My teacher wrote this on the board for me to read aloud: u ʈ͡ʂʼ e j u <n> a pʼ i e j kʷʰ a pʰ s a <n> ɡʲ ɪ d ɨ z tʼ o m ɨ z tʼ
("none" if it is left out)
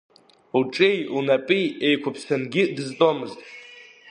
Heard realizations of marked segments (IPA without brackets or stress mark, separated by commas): n, n